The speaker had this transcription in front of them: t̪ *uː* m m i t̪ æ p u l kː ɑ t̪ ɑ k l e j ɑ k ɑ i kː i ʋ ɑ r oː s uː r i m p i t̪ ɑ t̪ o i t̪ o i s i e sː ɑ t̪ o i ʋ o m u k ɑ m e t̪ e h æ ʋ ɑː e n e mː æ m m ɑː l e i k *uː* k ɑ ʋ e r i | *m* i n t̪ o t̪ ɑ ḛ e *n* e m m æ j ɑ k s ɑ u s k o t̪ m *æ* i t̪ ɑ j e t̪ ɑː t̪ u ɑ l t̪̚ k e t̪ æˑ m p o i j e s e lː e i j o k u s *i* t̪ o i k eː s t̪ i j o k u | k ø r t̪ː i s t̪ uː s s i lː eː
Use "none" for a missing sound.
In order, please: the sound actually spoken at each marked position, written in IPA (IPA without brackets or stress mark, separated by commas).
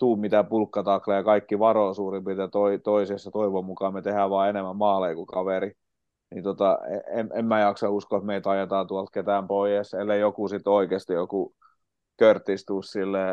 uː, u, n, m, e, i